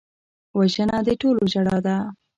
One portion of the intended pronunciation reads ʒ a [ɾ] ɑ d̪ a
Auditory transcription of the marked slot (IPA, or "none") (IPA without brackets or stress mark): ɽ